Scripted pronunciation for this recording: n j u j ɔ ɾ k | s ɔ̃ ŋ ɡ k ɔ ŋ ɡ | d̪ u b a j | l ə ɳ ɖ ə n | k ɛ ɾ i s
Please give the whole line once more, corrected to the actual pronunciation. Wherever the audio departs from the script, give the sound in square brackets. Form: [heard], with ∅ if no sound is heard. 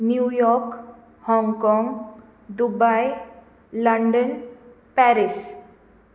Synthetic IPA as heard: n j u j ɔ ɾ k | [h] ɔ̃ ŋ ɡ k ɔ ŋ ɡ | d̪ u b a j | l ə ɳ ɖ ə n | [p] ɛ ɾ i s